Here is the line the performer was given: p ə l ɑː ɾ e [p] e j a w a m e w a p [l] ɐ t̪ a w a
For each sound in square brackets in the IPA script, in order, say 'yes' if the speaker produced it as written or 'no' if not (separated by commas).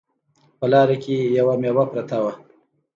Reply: no, no